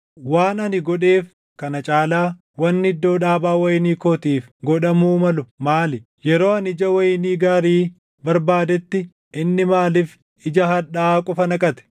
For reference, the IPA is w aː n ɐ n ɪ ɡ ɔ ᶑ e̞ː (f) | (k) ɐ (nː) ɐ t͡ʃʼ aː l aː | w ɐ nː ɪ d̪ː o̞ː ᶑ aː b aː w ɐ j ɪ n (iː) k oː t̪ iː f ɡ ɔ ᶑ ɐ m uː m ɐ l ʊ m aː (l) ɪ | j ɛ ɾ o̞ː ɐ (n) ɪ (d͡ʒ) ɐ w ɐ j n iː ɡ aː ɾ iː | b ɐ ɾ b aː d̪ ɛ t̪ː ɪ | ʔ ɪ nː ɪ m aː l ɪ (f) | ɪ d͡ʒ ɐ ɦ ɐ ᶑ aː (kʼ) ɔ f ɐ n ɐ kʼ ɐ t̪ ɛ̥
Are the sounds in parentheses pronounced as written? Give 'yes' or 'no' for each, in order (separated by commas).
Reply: yes, yes, no, yes, yes, yes, yes, yes, yes